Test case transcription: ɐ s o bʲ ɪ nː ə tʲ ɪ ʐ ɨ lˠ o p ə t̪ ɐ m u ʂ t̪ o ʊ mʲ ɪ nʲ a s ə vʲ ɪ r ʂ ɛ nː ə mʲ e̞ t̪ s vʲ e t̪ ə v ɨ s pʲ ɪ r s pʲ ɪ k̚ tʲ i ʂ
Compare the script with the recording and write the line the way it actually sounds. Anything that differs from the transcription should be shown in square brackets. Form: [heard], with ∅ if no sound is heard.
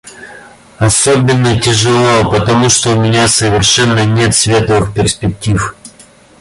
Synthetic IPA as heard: ɐ s o bʲ ɪ nː ə tʲ ɪ ʐ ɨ lˠ o p ə t̪ ɐ m u ʂ t̪ o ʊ mʲ ɪ nʲ a s ə vʲ ɪ r ʂ ɛ nː ə [nʲ] e̞ t̪ s vʲ e t̪ ə v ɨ [x] pʲ ɪ r s pʲ ɪ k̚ tʲ i [f]

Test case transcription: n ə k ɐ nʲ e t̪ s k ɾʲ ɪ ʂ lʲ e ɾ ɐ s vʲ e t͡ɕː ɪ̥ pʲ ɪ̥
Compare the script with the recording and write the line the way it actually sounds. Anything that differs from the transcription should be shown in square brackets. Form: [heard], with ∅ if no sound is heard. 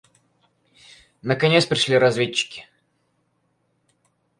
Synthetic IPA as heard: n ə k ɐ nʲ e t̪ s [p] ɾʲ ɪ ʂ lʲ [i] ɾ ɐ [z] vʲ e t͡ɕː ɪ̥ [kʲ] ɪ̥

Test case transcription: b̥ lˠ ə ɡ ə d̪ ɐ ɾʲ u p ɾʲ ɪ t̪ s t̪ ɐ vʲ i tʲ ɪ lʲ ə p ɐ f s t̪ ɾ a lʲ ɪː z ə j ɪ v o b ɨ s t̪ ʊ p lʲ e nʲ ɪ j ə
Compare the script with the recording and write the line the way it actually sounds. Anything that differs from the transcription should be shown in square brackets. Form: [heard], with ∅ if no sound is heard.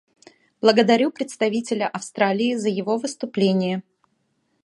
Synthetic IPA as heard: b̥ lˠ ə ɡ ə d̪ ɐ ɾʲ u p ɾʲ ɪ t̪ s t̪ ɐ vʲ i tʲ ɪ lʲ ə [ʔ] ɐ f s t̪ ɾ a lʲ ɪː z ə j ɪ v o [v] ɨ s t̪ ʊ p lʲ e nʲ ɪ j ə

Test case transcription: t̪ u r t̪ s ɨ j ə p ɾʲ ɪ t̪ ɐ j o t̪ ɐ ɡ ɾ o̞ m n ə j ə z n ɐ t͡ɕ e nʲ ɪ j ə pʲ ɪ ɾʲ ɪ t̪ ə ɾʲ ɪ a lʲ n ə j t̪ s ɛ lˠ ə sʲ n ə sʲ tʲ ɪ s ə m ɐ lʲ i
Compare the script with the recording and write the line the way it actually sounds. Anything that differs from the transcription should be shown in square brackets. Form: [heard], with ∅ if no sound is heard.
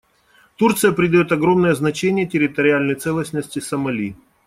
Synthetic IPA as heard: t̪ u r t̪ s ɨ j ə p ɾʲ ɪ [d̪] ɐ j o t̪ ɐ ɡ ɾ o̞ m n ə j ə z n ɐ t͡ɕ e nʲ ɪ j ə [tʲ] ɪ ɾʲ ɪ t̪ ə ɾʲ ɪ a lʲ n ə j t̪ s ɛ lˠ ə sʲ n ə sʲ tʲ ɪ s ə m ɐ lʲ i

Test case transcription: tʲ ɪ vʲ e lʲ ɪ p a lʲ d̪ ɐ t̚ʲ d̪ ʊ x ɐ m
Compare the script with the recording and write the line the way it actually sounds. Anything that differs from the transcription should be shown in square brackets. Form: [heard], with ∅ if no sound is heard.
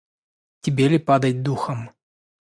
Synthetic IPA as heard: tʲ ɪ [bʲ] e lʲ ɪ p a [∅] d̪ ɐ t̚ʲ d̪ [u] x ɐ m

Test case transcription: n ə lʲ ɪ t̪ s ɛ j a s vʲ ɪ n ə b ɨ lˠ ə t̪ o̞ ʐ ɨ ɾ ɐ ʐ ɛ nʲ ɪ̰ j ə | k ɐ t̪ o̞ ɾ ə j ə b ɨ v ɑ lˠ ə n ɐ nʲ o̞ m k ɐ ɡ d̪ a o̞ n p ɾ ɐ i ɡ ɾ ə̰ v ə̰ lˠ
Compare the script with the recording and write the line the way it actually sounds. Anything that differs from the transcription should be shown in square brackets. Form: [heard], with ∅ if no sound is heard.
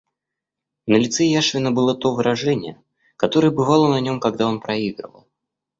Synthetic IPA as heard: n ə lʲ ɪ t̪ s ɛ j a [ʂ] vʲ ɪ n ə b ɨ lˠ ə t̪ o̞ [v] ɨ ɾ ɐ ʐ ɛ nʲ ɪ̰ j ə | k ɐ t̪ o̞ ɾ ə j ə b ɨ v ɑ lˠ ə n ɐ nʲ o̞ m k ɐ ɡ d̪ a o̞ n p ɾ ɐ i ɡ ɾ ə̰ v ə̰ lˠ

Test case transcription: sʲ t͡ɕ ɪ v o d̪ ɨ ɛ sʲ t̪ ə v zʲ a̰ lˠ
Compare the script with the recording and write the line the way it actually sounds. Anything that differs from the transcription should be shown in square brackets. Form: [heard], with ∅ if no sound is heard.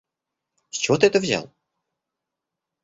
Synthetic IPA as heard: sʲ t͡ɕ ɪ v o [t̪] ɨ ɛ [∅] t̪ ə v zʲ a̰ lˠ

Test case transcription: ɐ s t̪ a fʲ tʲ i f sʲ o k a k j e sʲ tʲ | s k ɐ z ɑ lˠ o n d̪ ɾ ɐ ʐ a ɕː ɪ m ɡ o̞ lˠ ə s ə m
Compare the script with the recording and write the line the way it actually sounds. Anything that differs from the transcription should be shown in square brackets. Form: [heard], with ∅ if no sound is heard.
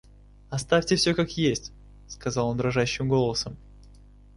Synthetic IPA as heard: ɐ s t̪ a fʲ tʲ [ɪ] f sʲ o k a k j e sʲ tʲ | s k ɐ z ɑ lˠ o n d̪ ɾ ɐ ʐ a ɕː ɪ m ɡ o̞ lˠ ə s ə m

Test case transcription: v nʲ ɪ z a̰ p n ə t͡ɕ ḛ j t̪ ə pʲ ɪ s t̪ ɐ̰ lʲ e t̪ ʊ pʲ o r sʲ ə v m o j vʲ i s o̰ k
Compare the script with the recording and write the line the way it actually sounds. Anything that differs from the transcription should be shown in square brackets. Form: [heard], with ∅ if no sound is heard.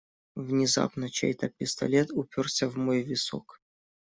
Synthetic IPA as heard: v nʲ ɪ z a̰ p n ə t͡ɕ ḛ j t̪ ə pʲ ɪ s t̪ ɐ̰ lʲ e t̪ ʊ pʲ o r sʲ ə v m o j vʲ [ɪ] s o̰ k

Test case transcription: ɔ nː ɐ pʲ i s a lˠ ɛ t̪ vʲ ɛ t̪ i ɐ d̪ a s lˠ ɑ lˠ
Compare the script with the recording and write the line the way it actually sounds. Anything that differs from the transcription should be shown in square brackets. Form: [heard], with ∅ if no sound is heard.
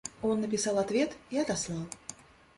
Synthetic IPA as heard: ɔ nː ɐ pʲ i s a lˠ [a] t̪ vʲ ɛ t̪ i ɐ d̪ a s lˠ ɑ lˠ

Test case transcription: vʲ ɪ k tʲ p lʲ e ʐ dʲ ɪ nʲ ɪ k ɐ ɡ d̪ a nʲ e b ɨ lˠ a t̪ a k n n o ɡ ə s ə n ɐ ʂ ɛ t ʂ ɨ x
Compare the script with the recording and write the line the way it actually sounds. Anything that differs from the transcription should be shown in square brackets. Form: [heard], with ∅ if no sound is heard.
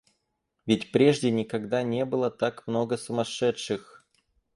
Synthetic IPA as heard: vʲ ɪ [∅] tʲ p [ɾʲ] e ʐ dʲ ɪ nʲ ɪ k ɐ ɡ d̪ a nʲ e b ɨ lˠ [ə] t̪ a k [m] n o ɡ ə s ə [m] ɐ ʂ ɛ t ʂ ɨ x

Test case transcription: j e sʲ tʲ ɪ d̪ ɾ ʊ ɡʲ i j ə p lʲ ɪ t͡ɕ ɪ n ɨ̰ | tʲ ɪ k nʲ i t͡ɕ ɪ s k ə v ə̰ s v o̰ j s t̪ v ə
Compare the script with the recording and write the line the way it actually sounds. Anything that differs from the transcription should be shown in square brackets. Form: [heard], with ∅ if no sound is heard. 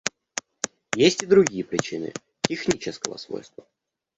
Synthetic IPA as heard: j e sʲ tʲ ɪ d̪ ɾ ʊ ɡʲ i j ə p [ɾʲ] ɪ t͡ɕ [i] n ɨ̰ | tʲ ɪ [x] nʲ i t͡ɕ ɪ s k ə v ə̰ s v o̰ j s t̪ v ə

